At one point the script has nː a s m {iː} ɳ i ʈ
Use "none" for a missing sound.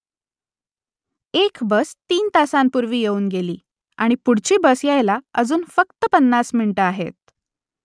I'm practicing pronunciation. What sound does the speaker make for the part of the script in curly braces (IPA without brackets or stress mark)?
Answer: i